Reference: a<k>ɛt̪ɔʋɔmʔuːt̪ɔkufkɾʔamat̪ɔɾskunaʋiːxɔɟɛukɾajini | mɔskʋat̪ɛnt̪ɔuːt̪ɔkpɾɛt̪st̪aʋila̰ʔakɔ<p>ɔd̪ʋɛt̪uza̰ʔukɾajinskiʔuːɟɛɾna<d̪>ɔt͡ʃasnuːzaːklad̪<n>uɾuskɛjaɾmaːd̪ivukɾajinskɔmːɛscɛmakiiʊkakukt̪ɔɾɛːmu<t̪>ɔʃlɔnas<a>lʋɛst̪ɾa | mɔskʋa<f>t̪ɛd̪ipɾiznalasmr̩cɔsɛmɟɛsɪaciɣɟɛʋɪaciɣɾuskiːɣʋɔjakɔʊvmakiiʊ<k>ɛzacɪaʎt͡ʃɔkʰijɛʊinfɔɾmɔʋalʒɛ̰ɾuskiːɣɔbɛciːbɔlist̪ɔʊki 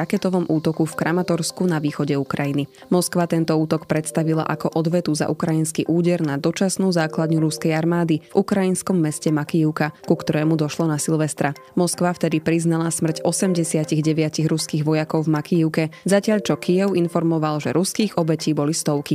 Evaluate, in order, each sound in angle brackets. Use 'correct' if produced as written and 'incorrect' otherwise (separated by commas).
correct, incorrect, correct, incorrect, incorrect, incorrect, correct, correct